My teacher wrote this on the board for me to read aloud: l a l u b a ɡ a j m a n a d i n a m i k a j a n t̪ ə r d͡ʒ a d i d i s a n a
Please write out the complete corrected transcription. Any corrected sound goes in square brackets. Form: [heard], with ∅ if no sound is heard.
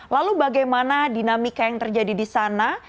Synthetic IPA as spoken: l a l u b a ɡ a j m a n a d i n a m i k a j a [ŋ] t̪ ə r d͡ʒ a d i d i s a n a